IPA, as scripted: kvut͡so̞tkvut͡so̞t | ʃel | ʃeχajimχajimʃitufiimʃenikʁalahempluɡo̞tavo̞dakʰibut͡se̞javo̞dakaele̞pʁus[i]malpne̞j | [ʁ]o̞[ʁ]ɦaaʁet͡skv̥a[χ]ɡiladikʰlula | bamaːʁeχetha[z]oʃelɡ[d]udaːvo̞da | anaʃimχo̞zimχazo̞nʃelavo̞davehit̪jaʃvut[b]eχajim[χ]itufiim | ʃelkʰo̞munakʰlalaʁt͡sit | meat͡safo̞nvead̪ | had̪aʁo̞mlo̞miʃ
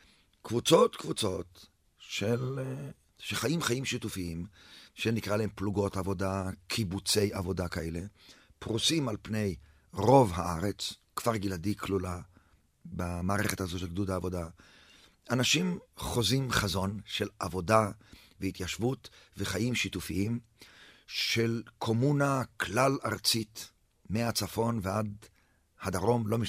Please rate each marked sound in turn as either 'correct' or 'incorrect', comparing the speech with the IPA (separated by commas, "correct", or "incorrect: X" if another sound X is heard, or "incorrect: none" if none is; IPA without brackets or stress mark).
correct, correct, incorrect: v, incorrect: ʁ, correct, correct, incorrect: v, incorrect: ʃ